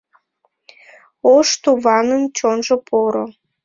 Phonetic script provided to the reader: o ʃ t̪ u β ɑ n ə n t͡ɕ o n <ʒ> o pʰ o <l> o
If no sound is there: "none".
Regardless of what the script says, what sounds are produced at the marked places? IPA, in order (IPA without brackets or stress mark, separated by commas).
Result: ʒ, ɾ